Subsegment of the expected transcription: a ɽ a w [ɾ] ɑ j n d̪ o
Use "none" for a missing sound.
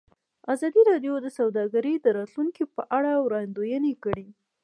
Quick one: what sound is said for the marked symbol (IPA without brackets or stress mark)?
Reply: ɾ